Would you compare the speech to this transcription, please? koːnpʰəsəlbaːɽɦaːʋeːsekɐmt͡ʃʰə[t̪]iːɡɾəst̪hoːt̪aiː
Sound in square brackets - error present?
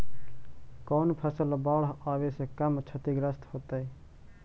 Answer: no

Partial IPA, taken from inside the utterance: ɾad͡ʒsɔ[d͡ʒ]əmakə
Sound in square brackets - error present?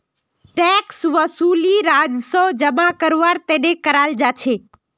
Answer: no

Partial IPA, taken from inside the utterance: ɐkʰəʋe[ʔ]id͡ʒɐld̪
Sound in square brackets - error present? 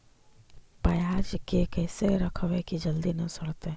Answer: yes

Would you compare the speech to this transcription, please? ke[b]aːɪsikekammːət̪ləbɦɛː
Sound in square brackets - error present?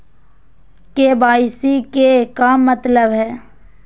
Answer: no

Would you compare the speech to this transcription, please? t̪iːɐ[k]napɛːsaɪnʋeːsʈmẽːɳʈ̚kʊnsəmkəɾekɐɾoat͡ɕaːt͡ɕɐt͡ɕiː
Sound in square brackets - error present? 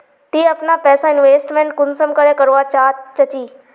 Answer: yes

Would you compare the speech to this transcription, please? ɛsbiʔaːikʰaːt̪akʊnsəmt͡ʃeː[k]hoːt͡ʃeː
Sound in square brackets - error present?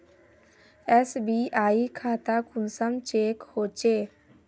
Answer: no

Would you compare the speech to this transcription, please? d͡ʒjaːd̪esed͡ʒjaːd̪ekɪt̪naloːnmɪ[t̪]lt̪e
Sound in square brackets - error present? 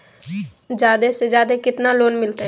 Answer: yes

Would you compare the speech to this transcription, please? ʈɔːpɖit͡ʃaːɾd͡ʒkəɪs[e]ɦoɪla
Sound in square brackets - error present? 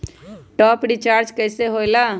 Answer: no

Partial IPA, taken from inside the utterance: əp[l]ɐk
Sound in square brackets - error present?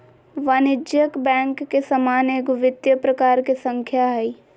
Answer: yes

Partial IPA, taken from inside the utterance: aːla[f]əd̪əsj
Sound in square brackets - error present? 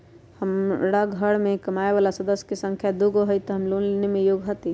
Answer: yes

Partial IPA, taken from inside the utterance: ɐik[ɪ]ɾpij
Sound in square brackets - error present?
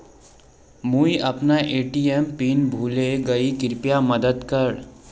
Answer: no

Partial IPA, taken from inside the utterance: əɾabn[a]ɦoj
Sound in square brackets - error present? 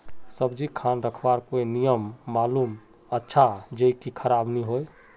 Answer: yes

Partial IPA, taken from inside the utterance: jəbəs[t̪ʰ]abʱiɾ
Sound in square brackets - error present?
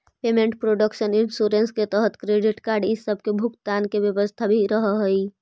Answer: no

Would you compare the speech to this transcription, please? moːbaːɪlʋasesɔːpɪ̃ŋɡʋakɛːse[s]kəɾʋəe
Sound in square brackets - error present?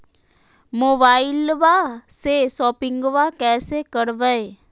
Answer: yes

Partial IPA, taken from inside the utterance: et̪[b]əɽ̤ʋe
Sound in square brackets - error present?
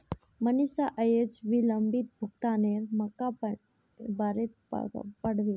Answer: yes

